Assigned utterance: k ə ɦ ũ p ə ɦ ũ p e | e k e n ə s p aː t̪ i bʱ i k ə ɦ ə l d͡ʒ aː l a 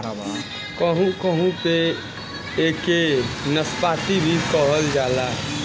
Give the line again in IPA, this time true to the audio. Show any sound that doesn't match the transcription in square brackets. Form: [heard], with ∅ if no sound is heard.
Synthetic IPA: k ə ɦ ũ [k] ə ɦ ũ p e | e k e n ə s p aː t̪ i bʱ i k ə ɦ ə l d͡ʒ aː l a